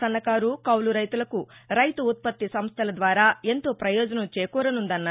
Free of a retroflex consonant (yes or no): yes